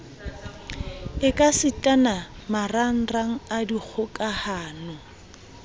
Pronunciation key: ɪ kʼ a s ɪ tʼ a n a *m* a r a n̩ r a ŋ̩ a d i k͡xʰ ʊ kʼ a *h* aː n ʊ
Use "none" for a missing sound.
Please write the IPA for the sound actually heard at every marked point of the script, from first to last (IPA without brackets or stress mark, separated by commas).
m, h